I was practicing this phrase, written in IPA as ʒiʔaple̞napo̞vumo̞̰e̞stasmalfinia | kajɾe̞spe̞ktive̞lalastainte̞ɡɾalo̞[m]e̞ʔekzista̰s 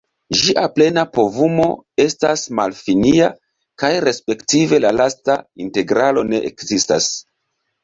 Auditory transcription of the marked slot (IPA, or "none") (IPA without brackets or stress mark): n